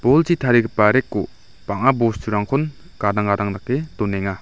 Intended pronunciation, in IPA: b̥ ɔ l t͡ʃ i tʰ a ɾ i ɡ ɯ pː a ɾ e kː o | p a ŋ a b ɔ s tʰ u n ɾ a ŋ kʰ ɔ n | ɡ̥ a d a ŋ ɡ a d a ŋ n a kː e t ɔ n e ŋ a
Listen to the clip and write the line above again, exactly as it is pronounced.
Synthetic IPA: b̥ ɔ l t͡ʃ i tʰ a ɾ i ɡ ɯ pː a ɾ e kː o | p a ŋ a b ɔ s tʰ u ɾ a ŋ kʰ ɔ n | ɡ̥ a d a ŋ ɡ a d a ŋ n a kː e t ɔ n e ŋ a

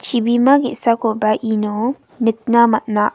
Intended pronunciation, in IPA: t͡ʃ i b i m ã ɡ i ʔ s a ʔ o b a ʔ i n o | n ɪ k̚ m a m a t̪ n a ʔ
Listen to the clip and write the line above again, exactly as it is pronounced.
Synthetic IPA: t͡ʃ i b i m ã ɡ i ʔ s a k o b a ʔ i n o | n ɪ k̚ n a m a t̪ n a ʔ

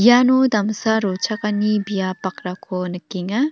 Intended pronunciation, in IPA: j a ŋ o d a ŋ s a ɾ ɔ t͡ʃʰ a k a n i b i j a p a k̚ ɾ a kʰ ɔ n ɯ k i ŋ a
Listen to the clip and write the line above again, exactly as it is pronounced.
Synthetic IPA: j a n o d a m s a ɾ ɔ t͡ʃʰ a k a n i b i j a p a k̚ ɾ a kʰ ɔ n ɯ k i ŋ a

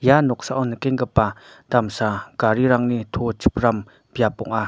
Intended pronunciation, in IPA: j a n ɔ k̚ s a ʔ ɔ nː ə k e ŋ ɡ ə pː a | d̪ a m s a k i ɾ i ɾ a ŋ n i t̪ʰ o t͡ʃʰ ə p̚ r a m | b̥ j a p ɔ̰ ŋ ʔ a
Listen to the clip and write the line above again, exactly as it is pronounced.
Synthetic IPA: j a n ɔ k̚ s a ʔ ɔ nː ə k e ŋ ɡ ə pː a | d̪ a m s a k a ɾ i ɾ a ŋ n i t̪ʰ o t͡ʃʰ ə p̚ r a m | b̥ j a p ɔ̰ ŋ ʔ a

